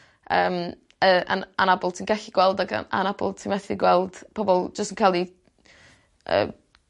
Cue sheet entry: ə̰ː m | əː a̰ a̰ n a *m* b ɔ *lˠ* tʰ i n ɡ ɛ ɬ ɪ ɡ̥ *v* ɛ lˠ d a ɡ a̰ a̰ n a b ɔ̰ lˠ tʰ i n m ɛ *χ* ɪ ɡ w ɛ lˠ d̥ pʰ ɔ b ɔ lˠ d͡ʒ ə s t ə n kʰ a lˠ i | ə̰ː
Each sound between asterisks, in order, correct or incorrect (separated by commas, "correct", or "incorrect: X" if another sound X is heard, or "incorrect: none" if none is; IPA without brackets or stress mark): incorrect: none, correct, incorrect: w, incorrect: θ